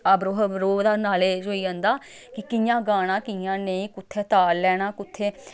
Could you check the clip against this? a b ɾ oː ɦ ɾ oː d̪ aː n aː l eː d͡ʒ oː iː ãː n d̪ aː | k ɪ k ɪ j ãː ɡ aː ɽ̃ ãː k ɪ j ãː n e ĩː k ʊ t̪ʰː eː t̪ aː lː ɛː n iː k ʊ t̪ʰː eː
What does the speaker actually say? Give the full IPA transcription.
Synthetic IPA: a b ɾ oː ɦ ɾ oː d̪ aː n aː l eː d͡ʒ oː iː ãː n d̪ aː | k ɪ k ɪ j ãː ɡ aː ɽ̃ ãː k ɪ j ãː n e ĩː k ʊ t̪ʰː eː t̪ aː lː ɛː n aː k ʊ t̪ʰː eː